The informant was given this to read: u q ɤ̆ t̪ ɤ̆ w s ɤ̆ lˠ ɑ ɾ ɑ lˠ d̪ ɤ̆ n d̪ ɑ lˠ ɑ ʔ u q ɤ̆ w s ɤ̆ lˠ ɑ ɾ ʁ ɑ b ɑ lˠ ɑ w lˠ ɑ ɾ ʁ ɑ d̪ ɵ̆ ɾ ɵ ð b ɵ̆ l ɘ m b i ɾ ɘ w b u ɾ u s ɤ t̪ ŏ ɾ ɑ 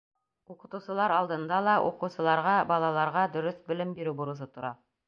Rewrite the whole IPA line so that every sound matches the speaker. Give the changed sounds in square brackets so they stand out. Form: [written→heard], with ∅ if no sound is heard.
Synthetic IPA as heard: u q ɤ̆ t̪ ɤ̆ w s ɤ̆ lˠ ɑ ɾ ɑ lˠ d̪ ɤ̆ n d̪ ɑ lˠ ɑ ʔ u q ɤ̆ w s ɤ̆ lˠ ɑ ɾ ʁ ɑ b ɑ lˠ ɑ [w→∅] lˠ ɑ ɾ ʁ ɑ d̪ ɵ̆ ɾ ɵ [ð→θ] b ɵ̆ l ɘ m b i ɾ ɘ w b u ɾ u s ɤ t̪ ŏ ɾ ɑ